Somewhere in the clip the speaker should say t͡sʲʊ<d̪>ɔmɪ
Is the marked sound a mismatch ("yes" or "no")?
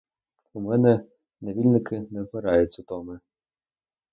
yes